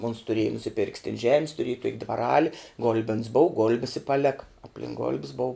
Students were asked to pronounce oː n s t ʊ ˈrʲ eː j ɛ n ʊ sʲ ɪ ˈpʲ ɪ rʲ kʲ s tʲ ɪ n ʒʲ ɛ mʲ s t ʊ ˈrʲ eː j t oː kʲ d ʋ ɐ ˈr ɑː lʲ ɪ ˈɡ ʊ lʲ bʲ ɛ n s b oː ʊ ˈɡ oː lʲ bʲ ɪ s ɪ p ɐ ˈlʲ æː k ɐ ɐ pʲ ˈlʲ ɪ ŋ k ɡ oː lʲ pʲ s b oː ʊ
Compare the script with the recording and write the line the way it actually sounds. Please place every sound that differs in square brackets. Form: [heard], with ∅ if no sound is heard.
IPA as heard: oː n s t ʊ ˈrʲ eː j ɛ n ʊ sʲ ɪ ˈpʲ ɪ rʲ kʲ s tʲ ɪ n ʒʲ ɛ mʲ s t ʊ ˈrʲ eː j t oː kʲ d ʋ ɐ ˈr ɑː lʲ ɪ ˈɡ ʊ lʲ bʲ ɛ n s b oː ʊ ˈɡ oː lʲ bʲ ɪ s ɪ p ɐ ˈlʲ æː k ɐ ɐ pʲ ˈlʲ ɪ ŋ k ɡ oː lʲ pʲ s b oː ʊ